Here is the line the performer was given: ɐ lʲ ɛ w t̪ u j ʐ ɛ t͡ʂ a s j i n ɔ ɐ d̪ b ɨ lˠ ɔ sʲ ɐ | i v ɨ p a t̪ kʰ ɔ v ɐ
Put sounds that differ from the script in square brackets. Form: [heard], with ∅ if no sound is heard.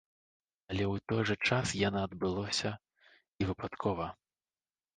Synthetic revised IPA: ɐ lʲ ɛ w t̪ [ɔ] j ʐ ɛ t͡ʂ a s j [a] n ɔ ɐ d̪ b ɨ lˠ ɔ sʲ ɐ | i v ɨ p a t̪ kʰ ɔ v ɐ

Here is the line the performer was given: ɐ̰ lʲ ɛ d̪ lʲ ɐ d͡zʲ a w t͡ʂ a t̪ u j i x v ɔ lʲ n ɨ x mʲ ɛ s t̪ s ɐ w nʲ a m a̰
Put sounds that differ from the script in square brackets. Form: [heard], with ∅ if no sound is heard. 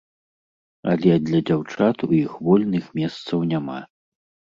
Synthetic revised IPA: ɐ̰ lʲ ɛ d̪ lʲ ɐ d͡zʲ a w t͡ʂ a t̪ u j i x v ɔ lʲ n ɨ x mʲ ɛ s t̪ s ɐ w nʲ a m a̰

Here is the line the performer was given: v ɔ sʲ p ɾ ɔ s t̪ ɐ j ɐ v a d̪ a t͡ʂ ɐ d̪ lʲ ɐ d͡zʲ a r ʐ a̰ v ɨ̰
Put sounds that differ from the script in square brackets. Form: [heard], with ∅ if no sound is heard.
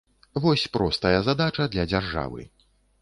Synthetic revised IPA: v ɔ sʲ p ɾ ɔ s t̪ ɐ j ɐ [z] a d̪ a t͡ʂ ɐ d̪ lʲ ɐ d͡zʲ a r ʐ a̰ v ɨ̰

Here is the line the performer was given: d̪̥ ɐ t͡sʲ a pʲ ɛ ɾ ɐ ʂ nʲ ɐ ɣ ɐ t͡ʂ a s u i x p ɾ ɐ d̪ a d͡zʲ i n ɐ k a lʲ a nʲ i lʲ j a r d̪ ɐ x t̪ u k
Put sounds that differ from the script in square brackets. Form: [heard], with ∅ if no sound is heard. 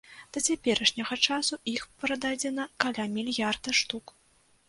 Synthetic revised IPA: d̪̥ ɐ t͡sʲ a pʲ ɛ ɾ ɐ ʂ nʲ ɐ ɣ ɐ t͡ʂ a s u i x p ɾ ɐ d̪ a d͡zʲ [ɛ] n ɐ k a lʲ a [mʲ] i lʲ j a r d̪ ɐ [ʂ] t̪ u k

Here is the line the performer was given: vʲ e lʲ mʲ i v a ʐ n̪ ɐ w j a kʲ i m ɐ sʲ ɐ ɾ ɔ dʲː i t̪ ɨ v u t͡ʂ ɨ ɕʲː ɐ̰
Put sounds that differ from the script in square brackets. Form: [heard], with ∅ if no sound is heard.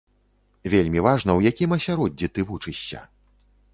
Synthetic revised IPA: vʲ e lʲ mʲ i v a ʐ n̪ ɐ w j a kʲ i m ɐ sʲ [a] ɾ ɔ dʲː i t̪ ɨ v u t͡ʂ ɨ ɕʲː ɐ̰

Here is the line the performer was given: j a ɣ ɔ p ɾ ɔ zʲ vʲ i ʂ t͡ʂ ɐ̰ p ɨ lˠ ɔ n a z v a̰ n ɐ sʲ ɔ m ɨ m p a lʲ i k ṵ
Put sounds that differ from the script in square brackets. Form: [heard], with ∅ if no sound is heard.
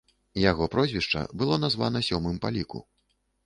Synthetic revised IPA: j a ɣ ɔ p ɾ ɔ zʲ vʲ i ʂ t͡ʂ ɐ̰ [b] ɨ lˠ ɔ n a z v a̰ n ɐ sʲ ɔ m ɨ m p a lʲ i k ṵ

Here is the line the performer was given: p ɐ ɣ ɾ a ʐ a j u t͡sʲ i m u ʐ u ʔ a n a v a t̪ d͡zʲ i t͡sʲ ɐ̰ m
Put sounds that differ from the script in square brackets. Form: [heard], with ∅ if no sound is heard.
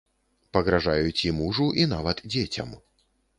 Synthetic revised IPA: p ɐ ɣ ɾ a ʐ a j u t͡sʲ i m u ʐ u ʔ [i] n a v [ɐ] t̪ d͡zʲ [e] t͡sʲ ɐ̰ m

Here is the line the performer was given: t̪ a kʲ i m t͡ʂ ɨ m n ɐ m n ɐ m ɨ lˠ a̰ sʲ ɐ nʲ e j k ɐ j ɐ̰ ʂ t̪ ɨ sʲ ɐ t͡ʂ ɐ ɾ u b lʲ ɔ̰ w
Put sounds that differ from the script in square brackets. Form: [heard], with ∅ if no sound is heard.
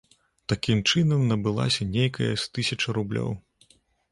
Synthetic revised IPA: t̪ a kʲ i m t͡ʂ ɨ [∅] n ɐ m n ɐ [b] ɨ lˠ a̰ sʲ ɐ nʲ e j k ɐ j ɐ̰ [s] t̪ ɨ sʲ ɐ t͡ʂ ɐ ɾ u b lʲ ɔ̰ w

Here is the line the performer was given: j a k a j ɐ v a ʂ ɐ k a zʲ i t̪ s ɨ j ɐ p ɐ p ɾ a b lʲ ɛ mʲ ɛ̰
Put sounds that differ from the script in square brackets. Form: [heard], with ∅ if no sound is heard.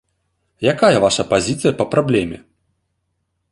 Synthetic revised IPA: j a k a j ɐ v a ʂ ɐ [p] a zʲ i t̪ s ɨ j ɐ p ɐ p ɾ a b lʲ ɛ mʲ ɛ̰

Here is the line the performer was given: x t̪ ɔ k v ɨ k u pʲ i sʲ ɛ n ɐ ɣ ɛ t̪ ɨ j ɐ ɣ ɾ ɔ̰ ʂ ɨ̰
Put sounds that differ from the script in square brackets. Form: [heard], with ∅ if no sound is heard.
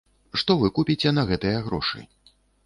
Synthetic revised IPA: [ʂ] t̪ ɔ [∅] v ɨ k u pʲ i [t͡sʲ] ɛ n ɐ ɣ ɛ t̪ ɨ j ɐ ɣ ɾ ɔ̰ ʂ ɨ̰

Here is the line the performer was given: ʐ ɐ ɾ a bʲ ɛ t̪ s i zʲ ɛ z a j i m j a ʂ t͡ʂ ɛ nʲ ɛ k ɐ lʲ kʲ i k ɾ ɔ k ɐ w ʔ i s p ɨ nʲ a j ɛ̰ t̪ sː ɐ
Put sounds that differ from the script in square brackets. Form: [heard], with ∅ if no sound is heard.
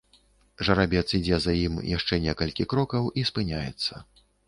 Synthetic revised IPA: ʐ ɐ ɾ a bʲ ɛ t̪ s i [d͡zʲ] ɛ z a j i m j a ʂ t͡ʂ ɛ nʲ ɛ k ɐ lʲ kʲ i k ɾ ɔ k ɐ w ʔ i s p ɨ nʲ a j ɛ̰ t̪ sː ɐ

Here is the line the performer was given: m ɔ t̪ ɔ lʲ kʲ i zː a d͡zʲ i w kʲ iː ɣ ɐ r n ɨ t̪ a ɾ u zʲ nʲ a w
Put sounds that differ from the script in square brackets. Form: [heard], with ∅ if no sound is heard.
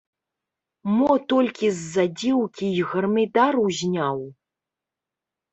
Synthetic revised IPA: m ɔ t̪ ɔ lʲ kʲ i zː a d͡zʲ i w kʲ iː ɣ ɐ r [m] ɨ [d̪] a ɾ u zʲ nʲ a w

